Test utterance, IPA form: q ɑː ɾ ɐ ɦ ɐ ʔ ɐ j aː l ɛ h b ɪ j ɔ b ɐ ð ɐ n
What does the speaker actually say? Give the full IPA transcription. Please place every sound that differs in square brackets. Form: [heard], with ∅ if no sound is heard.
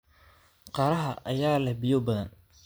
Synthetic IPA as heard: q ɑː ɾ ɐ ɦ ɐ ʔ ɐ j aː l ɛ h b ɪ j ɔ b ɐ ð ɐ n